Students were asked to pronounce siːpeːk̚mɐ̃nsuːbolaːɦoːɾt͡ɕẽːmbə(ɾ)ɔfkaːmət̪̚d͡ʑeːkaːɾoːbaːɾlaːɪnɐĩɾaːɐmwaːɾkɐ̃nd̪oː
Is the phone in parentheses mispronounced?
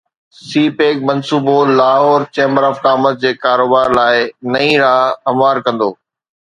no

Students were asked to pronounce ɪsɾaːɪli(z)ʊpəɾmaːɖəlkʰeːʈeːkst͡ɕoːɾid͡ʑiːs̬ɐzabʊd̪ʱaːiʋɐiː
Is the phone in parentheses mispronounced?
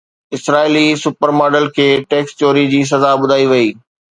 yes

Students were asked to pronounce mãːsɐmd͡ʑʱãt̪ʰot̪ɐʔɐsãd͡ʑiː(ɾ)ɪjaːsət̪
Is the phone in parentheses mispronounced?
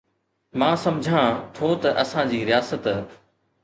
no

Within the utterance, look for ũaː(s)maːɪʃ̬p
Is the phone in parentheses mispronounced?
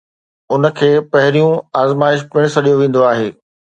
yes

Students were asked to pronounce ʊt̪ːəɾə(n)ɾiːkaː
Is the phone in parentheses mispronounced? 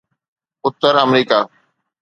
yes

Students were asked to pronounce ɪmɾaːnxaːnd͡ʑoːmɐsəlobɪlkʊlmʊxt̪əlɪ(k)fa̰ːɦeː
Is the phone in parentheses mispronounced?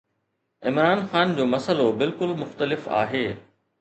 yes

